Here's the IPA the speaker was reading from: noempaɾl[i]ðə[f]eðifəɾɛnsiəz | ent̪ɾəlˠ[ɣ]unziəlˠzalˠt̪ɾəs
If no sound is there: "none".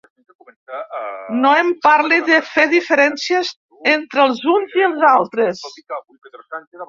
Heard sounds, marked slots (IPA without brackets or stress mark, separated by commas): i, f, z